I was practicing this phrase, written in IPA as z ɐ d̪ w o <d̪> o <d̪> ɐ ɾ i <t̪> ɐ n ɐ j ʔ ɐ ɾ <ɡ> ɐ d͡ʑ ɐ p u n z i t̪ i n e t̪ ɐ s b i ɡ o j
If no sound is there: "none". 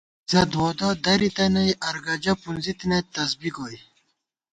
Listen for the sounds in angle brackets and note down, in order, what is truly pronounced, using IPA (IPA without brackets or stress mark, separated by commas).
d̪, d̪, t̪, ɡ